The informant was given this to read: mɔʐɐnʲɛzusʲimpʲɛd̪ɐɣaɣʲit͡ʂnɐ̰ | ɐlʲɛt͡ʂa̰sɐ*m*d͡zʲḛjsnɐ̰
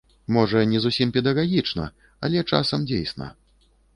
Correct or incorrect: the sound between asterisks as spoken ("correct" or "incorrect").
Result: correct